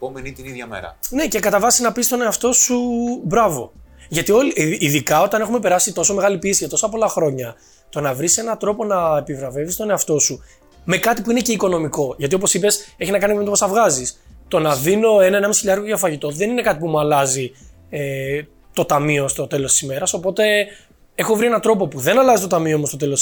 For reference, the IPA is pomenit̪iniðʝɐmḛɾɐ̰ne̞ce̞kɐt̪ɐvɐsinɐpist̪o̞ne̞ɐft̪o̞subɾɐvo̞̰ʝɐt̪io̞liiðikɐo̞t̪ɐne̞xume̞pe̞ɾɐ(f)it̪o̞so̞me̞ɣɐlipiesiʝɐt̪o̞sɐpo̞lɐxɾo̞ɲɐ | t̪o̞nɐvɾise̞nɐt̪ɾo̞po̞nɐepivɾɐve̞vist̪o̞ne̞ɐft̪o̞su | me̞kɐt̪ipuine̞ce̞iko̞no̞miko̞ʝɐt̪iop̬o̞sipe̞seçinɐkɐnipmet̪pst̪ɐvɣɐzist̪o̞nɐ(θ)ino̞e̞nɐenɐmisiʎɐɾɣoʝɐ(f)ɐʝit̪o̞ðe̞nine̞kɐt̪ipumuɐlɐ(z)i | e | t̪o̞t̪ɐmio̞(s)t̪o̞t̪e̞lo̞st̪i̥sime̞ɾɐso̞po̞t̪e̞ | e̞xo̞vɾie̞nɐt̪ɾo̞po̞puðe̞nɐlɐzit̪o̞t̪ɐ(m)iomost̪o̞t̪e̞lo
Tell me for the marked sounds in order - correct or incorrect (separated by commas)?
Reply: incorrect, incorrect, correct, correct, correct, correct